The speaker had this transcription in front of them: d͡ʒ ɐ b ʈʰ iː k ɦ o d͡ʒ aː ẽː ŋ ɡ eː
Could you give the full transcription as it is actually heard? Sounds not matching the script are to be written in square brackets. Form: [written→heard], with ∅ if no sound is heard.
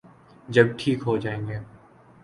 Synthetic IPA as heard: d͡ʒ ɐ b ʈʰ iː k ɦ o d͡ʒ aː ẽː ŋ ɡ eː